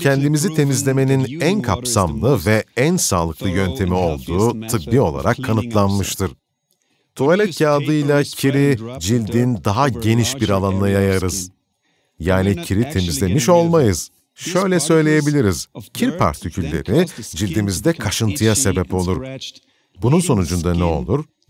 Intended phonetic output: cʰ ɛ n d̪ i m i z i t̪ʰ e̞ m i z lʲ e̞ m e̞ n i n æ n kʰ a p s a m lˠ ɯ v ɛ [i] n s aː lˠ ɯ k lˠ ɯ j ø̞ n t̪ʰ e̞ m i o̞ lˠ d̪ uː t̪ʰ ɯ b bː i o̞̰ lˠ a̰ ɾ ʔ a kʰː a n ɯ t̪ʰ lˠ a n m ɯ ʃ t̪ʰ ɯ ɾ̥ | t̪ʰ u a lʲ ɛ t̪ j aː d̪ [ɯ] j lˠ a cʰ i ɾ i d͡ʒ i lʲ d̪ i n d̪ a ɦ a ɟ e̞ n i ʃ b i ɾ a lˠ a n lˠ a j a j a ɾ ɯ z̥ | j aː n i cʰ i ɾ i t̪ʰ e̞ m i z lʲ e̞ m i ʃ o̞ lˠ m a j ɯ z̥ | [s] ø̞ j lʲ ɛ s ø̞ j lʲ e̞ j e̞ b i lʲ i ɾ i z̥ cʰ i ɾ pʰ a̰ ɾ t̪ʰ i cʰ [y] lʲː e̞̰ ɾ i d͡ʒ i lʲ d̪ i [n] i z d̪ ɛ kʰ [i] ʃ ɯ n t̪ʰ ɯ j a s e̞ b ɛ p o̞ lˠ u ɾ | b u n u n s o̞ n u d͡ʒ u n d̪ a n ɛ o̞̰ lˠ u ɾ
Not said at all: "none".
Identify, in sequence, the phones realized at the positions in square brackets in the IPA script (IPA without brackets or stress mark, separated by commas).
æ, ɯ, ʃ, y, m, a